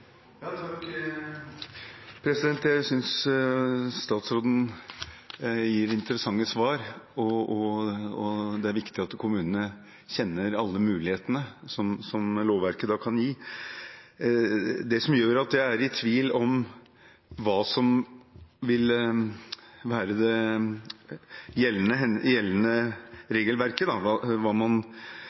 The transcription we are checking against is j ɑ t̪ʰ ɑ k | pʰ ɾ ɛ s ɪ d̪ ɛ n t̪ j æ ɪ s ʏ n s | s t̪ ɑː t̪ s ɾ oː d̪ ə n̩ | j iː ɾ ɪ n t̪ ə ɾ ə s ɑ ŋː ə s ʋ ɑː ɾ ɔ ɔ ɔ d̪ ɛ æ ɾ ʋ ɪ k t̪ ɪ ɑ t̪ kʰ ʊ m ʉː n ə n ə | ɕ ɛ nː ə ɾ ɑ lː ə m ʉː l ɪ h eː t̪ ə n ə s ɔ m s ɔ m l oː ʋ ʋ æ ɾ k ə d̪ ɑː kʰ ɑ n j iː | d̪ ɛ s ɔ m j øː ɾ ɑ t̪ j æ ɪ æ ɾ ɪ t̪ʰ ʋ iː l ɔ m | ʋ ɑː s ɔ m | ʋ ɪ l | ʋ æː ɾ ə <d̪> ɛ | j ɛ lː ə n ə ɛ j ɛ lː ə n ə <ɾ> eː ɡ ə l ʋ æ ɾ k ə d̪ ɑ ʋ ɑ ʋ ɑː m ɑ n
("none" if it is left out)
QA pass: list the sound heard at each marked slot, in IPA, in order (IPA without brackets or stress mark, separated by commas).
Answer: d̪, ɾ